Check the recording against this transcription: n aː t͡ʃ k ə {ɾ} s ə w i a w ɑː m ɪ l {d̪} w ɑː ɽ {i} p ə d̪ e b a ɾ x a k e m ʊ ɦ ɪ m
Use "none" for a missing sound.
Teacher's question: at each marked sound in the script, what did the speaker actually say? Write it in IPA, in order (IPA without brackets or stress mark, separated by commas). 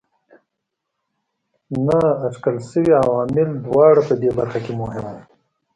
l, d̪, a